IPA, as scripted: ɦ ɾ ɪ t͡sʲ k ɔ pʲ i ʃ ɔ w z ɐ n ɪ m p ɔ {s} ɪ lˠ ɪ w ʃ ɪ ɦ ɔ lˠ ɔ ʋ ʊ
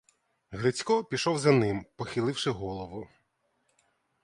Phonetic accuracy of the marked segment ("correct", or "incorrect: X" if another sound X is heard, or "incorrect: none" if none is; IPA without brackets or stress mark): incorrect: x